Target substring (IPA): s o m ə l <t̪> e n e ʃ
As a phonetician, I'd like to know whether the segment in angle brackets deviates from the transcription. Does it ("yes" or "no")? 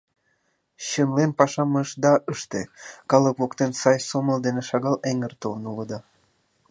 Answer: yes